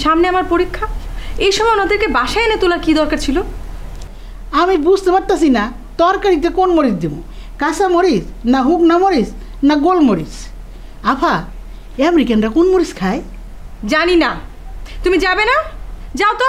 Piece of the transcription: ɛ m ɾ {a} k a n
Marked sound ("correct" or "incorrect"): incorrect